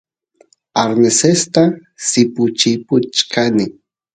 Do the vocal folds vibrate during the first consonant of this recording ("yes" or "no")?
yes